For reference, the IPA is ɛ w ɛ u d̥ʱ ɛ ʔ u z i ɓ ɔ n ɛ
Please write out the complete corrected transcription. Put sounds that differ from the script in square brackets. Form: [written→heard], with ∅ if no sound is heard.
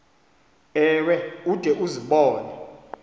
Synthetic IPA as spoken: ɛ w ɛ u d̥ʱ ɛ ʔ u z i ɓ [ɔ→ɔː] n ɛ